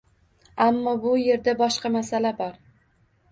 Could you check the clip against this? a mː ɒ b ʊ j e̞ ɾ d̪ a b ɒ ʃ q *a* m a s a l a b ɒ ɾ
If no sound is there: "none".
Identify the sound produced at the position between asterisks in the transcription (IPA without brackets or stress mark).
ɑ